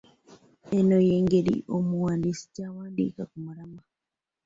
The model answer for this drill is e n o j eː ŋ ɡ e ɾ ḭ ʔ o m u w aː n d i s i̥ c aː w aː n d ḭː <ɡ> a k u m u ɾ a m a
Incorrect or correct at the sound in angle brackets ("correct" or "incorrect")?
incorrect